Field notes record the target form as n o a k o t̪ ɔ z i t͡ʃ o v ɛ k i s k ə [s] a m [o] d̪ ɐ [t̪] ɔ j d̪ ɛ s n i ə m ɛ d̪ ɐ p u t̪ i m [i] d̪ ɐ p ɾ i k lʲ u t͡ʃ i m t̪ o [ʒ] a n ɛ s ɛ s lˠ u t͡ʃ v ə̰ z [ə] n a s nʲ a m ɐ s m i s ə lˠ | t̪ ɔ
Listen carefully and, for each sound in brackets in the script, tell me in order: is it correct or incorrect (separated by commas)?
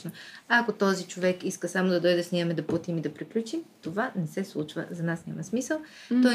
correct, correct, incorrect, correct, incorrect, incorrect